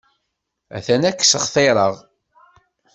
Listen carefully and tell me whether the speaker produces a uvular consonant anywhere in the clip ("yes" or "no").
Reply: yes